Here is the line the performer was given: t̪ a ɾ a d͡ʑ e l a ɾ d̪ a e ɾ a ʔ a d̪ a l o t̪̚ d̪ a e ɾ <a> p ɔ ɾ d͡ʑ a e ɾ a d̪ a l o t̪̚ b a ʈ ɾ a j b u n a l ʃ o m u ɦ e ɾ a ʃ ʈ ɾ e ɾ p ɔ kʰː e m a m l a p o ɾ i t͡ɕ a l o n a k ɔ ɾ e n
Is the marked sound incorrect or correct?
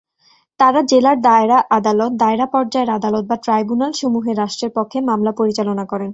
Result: correct